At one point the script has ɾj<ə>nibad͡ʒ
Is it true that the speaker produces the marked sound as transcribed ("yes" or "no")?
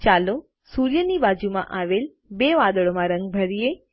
yes